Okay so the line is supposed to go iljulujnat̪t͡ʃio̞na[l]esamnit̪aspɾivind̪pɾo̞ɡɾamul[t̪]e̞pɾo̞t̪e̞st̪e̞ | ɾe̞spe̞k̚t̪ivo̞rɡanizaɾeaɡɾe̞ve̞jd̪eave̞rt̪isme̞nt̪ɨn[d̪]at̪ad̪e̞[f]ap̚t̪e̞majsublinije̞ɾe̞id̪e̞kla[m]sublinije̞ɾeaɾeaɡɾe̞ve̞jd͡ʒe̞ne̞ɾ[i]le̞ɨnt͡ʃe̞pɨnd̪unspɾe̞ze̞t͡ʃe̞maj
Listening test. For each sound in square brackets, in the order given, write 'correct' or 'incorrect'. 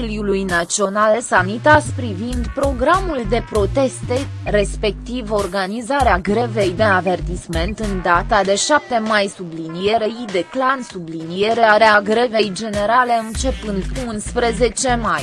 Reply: correct, incorrect, correct, incorrect, incorrect, incorrect

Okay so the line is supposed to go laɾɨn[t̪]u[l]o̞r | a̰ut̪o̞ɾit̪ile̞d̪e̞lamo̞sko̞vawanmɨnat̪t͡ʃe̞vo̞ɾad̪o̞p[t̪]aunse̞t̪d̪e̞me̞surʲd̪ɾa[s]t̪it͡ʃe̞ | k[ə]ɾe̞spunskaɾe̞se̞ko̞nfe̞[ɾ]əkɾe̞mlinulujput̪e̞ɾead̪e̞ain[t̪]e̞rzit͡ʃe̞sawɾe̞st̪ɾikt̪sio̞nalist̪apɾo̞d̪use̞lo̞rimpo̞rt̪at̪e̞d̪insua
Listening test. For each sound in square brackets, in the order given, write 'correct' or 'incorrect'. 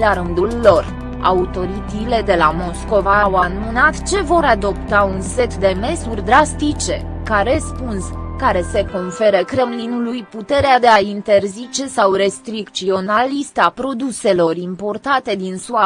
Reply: incorrect, incorrect, correct, correct, incorrect, correct, correct

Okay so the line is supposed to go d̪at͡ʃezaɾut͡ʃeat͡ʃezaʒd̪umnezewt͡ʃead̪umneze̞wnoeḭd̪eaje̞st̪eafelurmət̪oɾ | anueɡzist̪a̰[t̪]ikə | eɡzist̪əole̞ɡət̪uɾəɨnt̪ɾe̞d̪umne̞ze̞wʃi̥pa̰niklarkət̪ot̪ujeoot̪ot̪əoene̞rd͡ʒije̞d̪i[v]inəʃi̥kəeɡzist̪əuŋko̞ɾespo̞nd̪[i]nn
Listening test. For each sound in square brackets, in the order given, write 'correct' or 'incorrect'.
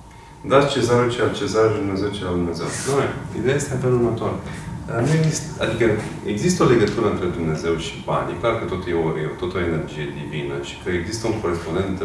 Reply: incorrect, correct, incorrect

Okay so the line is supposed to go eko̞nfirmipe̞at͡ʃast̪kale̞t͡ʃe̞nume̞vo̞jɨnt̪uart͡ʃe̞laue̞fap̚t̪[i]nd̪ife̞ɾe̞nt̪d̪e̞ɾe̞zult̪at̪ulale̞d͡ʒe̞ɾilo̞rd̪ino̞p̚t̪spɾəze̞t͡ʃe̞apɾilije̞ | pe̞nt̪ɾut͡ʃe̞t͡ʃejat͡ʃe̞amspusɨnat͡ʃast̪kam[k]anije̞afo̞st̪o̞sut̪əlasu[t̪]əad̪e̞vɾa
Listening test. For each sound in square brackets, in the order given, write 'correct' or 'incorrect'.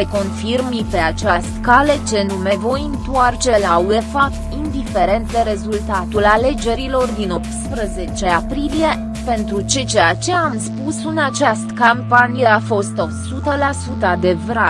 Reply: correct, incorrect, correct

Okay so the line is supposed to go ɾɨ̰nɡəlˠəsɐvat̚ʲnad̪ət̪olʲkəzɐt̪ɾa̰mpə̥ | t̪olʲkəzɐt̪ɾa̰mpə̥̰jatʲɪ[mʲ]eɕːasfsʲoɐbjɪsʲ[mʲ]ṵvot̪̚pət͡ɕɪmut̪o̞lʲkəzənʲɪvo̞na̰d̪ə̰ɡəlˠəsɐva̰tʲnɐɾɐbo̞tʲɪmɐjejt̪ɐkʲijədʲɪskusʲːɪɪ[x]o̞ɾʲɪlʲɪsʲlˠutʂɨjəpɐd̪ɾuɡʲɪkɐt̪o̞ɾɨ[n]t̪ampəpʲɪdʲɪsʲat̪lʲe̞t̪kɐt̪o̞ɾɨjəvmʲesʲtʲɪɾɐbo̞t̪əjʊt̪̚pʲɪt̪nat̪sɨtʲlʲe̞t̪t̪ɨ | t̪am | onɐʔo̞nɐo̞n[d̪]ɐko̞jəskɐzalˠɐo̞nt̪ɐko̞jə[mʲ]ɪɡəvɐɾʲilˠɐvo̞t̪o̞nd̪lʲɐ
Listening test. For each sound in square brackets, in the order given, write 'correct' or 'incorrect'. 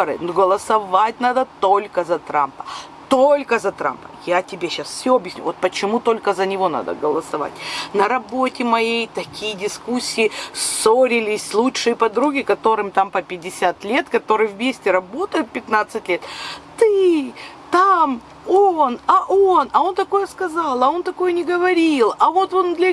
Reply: incorrect, incorrect, incorrect, incorrect, incorrect, incorrect

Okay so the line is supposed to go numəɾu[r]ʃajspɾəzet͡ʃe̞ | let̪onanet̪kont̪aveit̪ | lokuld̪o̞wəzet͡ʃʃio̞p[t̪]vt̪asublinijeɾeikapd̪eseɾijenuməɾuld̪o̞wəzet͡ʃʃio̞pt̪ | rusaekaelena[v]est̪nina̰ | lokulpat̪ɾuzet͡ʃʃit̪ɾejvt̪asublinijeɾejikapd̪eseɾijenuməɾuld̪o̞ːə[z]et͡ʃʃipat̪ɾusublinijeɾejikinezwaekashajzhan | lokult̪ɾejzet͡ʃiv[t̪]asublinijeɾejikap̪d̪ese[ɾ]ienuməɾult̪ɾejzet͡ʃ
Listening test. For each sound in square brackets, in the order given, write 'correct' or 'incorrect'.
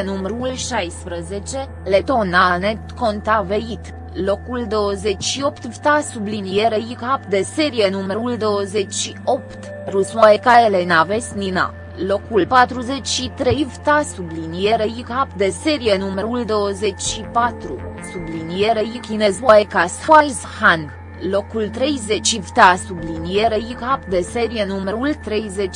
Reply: incorrect, correct, correct, correct, correct, correct

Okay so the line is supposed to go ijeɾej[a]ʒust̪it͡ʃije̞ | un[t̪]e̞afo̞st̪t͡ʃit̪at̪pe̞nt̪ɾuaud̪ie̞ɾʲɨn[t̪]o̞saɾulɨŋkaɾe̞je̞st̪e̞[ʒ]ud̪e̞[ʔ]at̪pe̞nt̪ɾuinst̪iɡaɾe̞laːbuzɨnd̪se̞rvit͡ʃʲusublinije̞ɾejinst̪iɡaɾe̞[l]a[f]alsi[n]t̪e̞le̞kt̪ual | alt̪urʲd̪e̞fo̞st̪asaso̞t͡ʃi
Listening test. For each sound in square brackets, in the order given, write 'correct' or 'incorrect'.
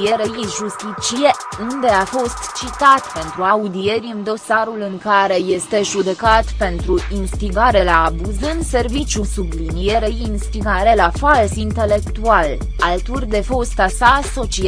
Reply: incorrect, incorrect, incorrect, correct, incorrect, correct, correct, correct

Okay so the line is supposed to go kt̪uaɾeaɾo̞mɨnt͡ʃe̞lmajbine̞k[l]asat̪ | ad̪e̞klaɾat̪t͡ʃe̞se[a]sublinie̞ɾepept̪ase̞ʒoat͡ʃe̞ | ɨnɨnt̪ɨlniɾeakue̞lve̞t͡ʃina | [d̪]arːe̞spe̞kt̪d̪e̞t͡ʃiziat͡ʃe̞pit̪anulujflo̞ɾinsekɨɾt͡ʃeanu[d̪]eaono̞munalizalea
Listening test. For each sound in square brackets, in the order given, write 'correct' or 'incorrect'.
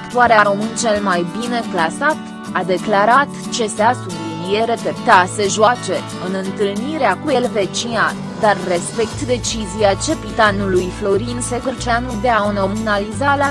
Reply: correct, correct, correct, correct

